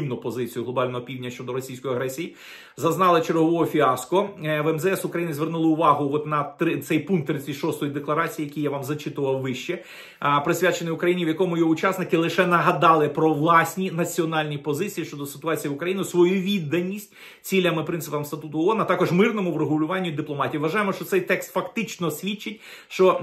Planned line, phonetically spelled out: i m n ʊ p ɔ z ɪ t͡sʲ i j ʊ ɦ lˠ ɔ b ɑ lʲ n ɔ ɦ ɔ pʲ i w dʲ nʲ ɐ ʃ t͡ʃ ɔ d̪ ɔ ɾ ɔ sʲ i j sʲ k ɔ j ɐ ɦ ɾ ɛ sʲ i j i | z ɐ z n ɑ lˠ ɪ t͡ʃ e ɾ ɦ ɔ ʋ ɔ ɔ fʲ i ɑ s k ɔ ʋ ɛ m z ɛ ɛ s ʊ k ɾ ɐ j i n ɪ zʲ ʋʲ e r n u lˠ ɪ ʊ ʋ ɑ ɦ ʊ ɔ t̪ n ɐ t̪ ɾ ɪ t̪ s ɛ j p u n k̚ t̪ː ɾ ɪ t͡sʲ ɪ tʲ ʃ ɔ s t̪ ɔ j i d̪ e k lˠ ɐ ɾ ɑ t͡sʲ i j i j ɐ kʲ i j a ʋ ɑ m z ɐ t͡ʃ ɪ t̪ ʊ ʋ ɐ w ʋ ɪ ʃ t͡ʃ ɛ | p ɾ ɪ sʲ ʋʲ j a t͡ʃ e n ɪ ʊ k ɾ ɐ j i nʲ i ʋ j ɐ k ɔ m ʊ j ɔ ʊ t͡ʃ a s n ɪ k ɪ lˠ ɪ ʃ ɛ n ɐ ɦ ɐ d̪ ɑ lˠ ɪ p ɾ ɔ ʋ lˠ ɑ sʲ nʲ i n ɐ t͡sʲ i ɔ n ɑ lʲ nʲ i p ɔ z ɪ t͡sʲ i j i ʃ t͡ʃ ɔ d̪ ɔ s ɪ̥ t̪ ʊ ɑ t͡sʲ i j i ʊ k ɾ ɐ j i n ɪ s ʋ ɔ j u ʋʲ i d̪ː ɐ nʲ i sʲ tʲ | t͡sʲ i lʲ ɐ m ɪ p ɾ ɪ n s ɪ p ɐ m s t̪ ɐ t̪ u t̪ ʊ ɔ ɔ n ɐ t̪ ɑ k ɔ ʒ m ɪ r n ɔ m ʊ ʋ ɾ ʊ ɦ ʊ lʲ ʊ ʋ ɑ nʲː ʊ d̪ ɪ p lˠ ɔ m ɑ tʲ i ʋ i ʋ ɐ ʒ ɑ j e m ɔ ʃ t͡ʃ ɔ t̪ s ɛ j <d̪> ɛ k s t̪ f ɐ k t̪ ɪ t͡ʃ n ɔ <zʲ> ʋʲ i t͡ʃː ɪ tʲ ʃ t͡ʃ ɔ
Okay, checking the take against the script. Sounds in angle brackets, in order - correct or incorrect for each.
incorrect: t̪, incorrect: sʲ

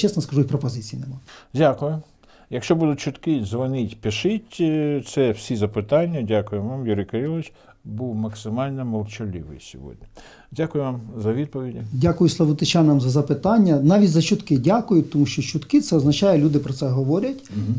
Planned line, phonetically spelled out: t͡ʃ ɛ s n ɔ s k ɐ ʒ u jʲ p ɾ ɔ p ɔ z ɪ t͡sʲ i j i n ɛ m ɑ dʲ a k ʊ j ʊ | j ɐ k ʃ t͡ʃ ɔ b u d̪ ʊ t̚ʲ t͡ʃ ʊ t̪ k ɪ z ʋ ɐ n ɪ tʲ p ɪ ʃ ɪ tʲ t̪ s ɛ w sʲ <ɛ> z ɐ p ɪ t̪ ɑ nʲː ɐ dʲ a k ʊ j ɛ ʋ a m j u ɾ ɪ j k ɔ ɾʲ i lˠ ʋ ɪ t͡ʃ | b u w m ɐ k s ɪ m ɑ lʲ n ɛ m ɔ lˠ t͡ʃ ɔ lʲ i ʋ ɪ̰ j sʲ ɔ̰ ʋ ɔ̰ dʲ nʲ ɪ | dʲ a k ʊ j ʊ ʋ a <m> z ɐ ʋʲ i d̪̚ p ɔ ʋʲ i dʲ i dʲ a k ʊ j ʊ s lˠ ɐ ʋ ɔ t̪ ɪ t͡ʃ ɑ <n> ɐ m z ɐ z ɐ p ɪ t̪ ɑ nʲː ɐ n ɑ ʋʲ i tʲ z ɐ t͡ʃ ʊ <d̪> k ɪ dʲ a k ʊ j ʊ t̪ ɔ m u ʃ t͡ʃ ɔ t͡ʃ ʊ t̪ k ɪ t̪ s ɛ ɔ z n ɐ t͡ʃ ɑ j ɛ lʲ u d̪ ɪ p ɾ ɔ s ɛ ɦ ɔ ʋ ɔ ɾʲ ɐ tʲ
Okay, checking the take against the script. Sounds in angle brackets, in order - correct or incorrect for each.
incorrect: i, correct, correct, incorrect: t̪

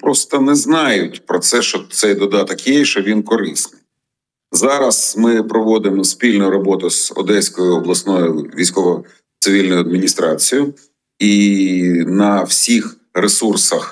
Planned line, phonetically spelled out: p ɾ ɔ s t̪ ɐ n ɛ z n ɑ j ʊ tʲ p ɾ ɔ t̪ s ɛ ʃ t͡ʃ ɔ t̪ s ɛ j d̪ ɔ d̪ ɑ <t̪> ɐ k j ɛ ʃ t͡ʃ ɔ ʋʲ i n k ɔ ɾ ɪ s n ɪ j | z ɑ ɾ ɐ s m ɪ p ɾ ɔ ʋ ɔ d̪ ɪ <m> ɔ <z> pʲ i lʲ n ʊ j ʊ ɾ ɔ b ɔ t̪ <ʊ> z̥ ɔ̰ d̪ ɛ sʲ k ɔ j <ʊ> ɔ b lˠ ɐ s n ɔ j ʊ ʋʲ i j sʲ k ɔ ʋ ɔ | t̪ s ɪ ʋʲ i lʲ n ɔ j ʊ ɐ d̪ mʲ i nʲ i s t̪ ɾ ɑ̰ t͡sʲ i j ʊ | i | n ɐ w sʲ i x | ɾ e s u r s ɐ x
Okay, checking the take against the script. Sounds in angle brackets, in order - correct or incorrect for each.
correct, correct, incorrect: s, correct, correct

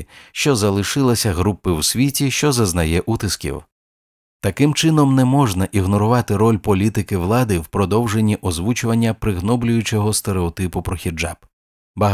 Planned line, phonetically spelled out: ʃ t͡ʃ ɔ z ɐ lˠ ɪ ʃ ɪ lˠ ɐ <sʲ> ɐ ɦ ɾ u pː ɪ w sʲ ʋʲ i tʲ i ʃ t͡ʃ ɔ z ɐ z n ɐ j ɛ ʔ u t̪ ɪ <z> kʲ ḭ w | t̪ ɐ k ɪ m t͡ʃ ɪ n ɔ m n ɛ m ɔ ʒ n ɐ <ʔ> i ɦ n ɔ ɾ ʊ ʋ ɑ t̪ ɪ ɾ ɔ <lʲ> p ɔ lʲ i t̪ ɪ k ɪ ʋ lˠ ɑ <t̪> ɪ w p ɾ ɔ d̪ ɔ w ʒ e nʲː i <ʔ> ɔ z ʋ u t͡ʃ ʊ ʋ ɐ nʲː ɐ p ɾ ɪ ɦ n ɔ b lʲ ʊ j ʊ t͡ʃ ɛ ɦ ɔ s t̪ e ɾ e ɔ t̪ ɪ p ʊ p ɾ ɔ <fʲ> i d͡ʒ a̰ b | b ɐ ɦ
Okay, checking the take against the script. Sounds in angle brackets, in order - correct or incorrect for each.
correct, incorrect: s, correct, correct, incorrect: d̪, correct, incorrect: xʲ

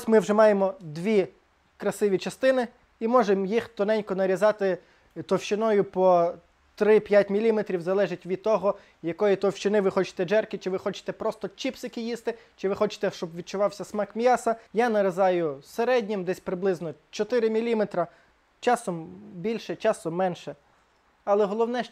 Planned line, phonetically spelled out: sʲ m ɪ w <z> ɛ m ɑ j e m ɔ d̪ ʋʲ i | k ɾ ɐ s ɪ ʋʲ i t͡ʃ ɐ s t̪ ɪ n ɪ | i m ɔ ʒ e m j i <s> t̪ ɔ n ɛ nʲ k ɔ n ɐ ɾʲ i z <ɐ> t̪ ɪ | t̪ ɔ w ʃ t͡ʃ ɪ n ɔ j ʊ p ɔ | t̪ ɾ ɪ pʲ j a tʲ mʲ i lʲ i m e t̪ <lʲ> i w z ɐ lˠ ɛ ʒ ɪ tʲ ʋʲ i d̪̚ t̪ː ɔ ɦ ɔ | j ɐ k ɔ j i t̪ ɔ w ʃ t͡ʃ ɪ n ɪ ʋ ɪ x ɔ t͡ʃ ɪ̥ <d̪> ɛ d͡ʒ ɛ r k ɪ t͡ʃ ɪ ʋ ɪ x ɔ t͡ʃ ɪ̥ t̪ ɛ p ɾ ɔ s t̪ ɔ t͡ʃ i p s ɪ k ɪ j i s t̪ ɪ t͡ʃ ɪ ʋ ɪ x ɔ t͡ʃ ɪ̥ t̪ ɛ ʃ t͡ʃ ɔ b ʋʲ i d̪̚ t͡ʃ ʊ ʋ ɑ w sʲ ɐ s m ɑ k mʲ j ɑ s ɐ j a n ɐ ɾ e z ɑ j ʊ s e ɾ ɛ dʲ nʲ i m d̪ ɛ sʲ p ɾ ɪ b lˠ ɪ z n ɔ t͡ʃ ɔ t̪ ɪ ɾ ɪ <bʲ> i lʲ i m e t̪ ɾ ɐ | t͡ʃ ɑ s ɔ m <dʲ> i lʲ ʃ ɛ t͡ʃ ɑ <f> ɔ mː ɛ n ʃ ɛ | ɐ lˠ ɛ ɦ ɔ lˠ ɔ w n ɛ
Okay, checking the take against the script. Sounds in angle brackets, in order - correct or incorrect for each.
incorrect: ʒ, incorrect: x, incorrect: ɑ, incorrect: ɾʲ, incorrect: t̪, incorrect: mʲ, incorrect: bʲ, incorrect: s

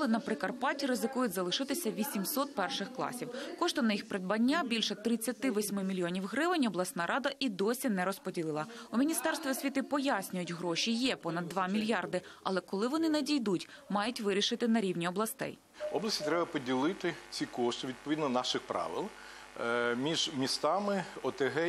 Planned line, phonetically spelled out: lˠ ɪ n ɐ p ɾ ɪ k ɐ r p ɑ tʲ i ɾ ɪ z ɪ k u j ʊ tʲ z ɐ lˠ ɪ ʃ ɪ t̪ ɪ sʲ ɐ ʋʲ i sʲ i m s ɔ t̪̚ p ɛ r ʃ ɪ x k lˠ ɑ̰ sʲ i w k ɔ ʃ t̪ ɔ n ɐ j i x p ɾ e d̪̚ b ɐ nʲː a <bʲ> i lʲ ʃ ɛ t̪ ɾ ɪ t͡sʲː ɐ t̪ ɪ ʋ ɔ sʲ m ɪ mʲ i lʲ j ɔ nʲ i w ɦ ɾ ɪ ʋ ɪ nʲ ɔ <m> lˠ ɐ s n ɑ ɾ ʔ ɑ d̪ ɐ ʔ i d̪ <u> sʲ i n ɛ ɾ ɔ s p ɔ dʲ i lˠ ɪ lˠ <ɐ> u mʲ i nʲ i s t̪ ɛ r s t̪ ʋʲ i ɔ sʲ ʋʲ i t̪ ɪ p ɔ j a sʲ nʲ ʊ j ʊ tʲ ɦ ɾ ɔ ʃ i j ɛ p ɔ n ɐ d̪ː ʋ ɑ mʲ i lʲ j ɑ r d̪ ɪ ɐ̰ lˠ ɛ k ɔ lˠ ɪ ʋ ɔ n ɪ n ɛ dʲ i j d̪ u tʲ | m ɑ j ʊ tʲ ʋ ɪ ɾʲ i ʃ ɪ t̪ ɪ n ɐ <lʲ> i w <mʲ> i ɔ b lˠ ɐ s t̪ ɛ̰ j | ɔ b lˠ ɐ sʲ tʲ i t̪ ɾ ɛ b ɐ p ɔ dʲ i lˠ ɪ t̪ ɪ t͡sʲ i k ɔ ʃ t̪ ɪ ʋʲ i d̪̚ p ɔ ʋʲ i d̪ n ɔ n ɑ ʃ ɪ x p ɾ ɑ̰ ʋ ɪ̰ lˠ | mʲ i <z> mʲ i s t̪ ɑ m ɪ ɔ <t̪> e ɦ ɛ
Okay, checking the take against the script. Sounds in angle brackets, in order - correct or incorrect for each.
correct, incorrect: b, incorrect: ɔ, correct, incorrect: ɾʲ, incorrect: nʲ, incorrect: ʒ, correct

